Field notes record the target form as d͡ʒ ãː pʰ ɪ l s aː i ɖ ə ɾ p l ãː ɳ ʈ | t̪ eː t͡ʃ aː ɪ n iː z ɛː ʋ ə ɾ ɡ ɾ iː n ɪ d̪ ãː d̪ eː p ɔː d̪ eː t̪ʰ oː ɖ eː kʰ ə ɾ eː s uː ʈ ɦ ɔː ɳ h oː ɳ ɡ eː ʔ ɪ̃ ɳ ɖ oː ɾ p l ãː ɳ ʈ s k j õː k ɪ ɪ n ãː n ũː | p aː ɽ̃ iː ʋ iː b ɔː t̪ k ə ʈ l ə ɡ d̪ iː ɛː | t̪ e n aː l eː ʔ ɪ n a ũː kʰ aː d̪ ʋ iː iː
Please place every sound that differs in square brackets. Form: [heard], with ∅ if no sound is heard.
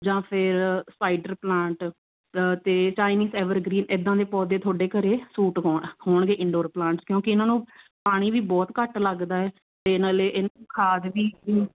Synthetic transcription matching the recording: d͡ʒ ãː pʰ ɪ [ɾ] s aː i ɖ ə ɾ p l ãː ɳ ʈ | t̪ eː t͡ʃ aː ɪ n iː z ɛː ʋ ə ɾ ɡ ɾ iː n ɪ d̪ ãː d̪ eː p ɔː d̪ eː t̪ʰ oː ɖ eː [k] ə ɾ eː s uː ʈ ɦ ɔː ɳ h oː ɳ ɡ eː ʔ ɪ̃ ɳ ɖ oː ɾ p l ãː ɳ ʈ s k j õː k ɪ ɪ n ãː n ũː | p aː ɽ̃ iː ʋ iː b ɔː t̪ k ə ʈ l ə ɡ d̪ [aː] ɛː | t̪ e n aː l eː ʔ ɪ n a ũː kʰ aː d̪ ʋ iː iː